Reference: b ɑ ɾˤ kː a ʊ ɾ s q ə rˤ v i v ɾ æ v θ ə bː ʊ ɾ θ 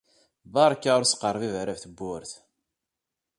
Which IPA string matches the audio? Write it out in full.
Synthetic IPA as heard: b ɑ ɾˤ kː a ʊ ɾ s q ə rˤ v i v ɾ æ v θ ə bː ʊ ɾ θ